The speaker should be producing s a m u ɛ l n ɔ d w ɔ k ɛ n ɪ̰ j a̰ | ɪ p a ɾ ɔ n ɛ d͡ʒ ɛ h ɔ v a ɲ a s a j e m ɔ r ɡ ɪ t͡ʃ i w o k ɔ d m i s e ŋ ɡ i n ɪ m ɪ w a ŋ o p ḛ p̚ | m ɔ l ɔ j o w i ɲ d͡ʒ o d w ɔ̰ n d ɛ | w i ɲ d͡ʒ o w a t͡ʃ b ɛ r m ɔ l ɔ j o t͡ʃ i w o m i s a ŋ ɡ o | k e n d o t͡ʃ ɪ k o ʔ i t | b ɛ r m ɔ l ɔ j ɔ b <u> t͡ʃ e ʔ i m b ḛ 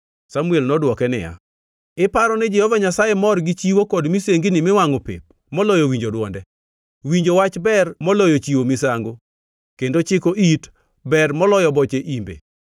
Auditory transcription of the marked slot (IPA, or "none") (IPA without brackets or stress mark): ɔ